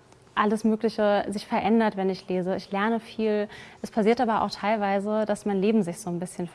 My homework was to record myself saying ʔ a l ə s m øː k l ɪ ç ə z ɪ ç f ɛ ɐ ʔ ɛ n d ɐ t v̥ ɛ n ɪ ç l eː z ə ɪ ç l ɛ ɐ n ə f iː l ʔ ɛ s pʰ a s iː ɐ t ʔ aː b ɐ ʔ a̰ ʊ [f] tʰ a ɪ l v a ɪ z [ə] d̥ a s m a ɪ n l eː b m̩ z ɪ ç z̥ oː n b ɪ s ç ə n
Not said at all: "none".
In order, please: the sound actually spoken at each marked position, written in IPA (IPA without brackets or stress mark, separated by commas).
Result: x, ə